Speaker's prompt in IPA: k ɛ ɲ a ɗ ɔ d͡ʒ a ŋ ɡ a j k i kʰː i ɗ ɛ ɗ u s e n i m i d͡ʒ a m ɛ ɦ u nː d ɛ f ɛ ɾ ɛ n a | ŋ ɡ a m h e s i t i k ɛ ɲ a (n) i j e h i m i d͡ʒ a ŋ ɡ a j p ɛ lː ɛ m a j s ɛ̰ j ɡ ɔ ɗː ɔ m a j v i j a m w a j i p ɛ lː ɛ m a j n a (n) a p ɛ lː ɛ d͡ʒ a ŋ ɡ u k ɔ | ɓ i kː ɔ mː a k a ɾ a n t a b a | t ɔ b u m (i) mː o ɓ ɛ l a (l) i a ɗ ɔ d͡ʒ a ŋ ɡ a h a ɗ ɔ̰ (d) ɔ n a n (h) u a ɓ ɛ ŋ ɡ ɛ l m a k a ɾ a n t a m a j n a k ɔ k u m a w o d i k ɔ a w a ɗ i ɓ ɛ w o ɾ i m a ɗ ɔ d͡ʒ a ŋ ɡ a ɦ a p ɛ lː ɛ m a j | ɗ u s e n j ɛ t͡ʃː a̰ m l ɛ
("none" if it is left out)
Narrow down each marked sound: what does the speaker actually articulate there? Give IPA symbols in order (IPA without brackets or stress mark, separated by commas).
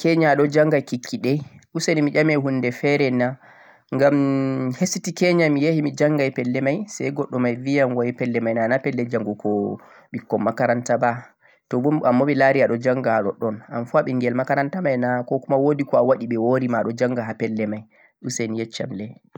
m, n, a, ɾ, ɗ, f